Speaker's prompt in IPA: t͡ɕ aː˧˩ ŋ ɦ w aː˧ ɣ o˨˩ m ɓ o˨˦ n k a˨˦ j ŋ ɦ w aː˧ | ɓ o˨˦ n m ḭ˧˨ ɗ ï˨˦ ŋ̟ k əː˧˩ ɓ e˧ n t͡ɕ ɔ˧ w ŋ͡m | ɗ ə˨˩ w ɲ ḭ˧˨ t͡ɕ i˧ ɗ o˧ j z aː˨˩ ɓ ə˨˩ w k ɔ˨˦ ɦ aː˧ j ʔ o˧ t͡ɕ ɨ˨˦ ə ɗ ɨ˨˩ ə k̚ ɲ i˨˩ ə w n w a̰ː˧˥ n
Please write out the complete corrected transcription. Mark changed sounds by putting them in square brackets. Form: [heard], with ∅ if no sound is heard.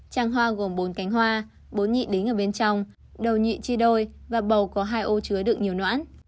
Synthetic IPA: t͡ɕ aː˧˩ ŋ ɦ w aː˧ ɣ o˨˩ m ɓ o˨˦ n k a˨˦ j ŋ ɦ w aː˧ | ɓ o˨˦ n [ɲ] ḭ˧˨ ɗ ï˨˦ ŋ̟ [ʔ] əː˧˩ ɓ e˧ n t͡ɕ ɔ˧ w ŋ͡m | ɗ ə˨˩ w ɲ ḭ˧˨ t͡ɕ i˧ ɗ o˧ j [v] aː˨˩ ɓ ə˨˩ w k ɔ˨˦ ɦ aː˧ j ʔ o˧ t͡ɕ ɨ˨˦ ə ɗ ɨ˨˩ ə k̚ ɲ i˨˩ ə w n w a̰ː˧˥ n